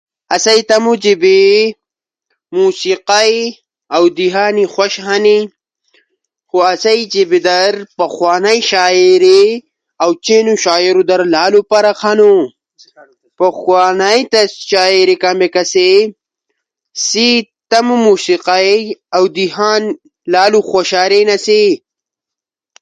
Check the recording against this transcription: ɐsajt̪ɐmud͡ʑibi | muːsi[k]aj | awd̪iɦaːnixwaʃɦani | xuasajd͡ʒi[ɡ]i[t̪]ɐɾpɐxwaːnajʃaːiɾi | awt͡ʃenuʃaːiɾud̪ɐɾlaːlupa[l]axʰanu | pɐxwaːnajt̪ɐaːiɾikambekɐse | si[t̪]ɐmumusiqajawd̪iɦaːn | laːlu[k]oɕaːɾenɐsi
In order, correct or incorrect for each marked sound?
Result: incorrect, incorrect, incorrect, incorrect, correct, incorrect

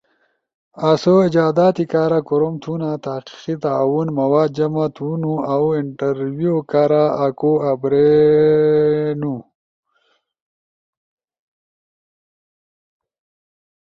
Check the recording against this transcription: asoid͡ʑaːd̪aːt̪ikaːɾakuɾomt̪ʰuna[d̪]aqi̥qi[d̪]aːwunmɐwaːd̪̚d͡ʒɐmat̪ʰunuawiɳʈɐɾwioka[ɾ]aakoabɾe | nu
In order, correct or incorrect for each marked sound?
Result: incorrect, incorrect, correct

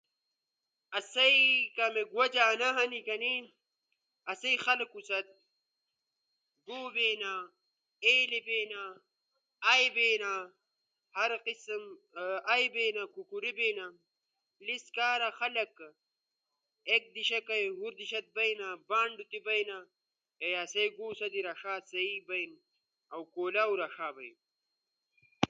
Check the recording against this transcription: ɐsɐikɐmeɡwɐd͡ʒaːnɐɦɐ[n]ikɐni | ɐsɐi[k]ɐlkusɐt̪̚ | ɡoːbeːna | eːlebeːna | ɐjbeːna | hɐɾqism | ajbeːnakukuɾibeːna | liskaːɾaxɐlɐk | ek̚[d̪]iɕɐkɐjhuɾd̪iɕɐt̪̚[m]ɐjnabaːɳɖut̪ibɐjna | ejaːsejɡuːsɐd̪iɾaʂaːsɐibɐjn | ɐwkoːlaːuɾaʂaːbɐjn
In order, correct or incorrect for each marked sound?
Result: correct, incorrect, correct, incorrect

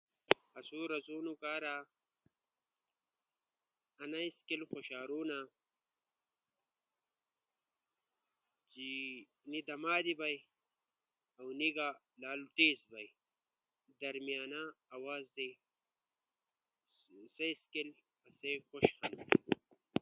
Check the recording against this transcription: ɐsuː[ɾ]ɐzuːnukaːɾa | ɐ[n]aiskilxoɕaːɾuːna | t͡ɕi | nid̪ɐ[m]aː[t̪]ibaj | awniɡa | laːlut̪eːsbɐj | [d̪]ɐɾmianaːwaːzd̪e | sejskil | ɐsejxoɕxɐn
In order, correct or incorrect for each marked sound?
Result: correct, correct, correct, incorrect, correct

